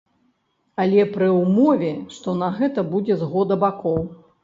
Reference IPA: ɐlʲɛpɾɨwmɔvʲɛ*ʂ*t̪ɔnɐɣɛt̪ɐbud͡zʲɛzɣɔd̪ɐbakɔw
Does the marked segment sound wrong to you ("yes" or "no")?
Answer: no